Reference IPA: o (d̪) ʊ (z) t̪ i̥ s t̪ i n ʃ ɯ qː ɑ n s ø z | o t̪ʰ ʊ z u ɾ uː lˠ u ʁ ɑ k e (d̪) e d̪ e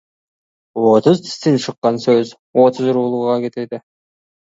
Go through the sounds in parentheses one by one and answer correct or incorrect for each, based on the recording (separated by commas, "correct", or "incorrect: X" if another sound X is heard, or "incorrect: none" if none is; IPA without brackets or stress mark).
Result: incorrect: t̪, correct, incorrect: t̪